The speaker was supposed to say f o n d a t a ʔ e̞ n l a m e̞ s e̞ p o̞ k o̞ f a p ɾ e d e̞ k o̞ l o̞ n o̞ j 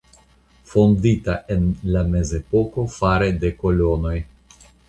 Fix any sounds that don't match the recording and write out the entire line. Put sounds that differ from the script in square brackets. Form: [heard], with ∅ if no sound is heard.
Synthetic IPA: f o n d [i] t a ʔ e̞ n l a m e̞ [z] e̞ p o̞ k o̞ f a [∅] ɾ e d e̞ k o̞ l o̞ n o̞ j